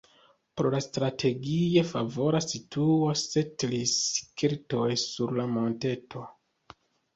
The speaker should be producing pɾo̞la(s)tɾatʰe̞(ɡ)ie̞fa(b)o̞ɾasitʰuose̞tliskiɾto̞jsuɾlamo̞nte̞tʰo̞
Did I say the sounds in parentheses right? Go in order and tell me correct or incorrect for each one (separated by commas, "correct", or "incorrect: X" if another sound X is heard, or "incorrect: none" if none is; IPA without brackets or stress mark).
correct, correct, incorrect: v